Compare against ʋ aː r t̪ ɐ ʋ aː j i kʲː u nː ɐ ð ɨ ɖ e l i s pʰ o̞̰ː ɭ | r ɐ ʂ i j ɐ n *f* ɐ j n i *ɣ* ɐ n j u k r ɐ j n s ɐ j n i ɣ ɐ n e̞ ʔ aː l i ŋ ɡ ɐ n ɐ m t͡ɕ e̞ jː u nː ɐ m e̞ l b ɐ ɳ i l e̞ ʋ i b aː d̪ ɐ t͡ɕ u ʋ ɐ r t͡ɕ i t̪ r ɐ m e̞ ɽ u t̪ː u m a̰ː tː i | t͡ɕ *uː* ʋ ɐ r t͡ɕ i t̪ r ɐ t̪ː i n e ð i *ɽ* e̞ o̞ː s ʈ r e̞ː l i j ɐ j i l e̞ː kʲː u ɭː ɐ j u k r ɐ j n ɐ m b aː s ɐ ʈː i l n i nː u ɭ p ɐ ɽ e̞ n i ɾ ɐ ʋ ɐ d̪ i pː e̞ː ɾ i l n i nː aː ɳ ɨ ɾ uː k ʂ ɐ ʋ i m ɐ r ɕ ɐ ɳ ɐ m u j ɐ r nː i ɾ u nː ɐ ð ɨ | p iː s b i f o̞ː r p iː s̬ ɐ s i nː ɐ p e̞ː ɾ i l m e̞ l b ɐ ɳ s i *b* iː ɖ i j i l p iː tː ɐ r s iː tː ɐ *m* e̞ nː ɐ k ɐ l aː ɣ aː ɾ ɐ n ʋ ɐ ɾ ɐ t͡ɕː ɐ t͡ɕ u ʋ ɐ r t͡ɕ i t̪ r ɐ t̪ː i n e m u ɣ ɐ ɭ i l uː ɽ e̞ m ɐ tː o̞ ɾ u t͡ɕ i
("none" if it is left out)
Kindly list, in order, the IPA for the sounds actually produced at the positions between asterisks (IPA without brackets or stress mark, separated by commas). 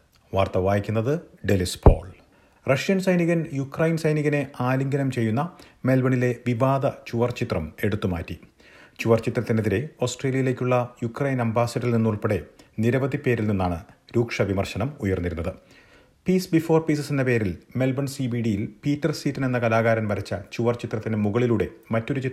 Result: s, ɣ, u, ɾ, b, n